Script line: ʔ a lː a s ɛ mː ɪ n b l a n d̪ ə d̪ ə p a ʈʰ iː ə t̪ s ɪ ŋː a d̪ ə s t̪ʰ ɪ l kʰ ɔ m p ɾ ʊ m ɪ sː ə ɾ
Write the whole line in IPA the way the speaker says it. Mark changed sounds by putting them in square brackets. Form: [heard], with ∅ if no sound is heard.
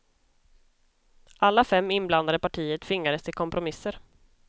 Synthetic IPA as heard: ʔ a lː a [f] ɛ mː ɪ n b l a n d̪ [a] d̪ ə p a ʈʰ iː ə t̪ [f] ɪ ŋː a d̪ ə s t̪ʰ ɪ l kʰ ɔ m p ɾ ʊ m ɪ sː ə ɾ